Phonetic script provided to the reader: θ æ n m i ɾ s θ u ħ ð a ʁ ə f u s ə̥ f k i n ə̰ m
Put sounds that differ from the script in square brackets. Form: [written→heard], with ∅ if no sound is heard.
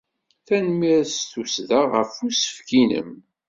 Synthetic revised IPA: θ æ n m i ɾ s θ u [ħ→s] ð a ʁ ə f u s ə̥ f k i n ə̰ m